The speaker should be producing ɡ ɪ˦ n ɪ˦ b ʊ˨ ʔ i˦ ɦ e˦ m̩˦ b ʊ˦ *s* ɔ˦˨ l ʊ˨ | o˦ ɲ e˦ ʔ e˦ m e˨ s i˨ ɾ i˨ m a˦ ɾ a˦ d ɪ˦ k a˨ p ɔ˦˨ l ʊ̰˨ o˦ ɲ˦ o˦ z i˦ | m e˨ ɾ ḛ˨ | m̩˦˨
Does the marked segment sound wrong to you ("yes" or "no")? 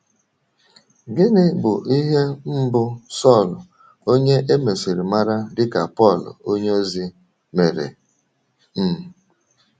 no